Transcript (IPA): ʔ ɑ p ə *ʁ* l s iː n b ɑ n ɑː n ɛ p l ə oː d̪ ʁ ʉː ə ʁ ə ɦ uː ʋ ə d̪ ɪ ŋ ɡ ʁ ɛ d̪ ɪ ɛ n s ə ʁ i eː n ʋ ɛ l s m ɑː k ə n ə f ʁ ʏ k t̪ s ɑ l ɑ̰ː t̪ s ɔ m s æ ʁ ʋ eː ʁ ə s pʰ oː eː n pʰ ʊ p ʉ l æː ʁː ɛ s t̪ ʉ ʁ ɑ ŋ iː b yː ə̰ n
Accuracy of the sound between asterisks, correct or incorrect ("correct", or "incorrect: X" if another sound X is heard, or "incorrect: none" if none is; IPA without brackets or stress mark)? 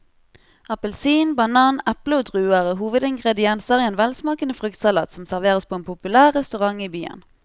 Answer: incorrect: none